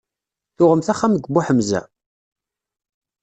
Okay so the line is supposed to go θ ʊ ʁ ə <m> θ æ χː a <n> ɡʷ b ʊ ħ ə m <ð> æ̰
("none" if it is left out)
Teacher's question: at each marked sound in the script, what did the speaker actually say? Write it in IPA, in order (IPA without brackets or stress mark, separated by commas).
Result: m, m, z